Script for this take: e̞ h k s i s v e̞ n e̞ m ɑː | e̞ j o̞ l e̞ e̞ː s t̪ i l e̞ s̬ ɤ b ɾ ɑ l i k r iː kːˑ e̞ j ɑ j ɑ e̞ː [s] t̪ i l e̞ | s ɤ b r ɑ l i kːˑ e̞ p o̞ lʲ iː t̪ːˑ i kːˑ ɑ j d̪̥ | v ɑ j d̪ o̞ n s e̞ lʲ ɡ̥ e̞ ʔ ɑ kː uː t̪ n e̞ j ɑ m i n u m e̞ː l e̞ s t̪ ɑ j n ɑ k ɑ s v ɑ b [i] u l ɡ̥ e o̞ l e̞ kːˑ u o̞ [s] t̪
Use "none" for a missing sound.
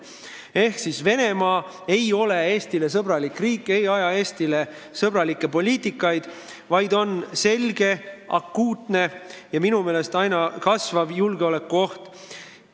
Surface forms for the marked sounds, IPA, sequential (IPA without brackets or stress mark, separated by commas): s, j, h